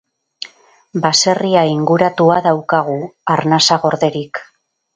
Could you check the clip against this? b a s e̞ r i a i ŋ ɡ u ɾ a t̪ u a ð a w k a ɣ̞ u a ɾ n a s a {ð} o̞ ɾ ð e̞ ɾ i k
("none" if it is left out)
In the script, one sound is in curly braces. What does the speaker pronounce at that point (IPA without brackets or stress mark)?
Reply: ɣ